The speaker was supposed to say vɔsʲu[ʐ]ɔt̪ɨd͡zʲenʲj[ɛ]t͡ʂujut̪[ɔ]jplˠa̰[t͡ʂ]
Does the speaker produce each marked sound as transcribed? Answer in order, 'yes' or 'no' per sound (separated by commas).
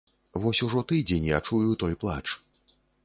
yes, no, yes, yes